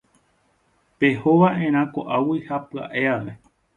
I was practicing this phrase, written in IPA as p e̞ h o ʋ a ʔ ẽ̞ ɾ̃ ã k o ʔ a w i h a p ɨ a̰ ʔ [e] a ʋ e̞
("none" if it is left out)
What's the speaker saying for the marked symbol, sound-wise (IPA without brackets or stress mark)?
e